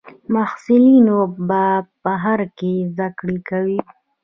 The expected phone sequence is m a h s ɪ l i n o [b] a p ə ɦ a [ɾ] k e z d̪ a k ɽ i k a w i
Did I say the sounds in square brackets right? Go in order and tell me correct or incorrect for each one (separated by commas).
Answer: correct, correct